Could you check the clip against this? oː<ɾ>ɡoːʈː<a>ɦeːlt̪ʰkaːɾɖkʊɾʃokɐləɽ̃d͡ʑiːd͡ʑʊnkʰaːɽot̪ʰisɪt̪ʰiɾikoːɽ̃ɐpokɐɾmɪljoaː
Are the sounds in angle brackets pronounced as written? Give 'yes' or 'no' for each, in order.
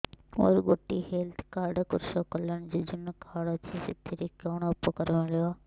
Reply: yes, no

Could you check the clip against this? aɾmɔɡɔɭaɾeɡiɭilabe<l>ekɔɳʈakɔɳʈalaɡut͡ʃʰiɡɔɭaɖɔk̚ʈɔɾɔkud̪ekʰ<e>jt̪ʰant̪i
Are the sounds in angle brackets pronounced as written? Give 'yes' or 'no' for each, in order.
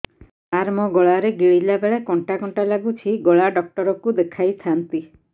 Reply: no, no

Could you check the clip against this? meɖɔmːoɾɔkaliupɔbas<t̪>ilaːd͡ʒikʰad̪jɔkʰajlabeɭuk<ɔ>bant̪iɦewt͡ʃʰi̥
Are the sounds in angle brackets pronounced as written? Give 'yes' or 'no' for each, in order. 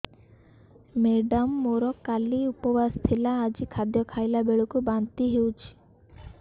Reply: no, no

